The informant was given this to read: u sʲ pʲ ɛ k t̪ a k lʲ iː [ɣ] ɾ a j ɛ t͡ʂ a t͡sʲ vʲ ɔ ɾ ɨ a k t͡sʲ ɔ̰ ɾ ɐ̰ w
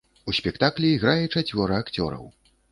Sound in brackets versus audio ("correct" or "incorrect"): correct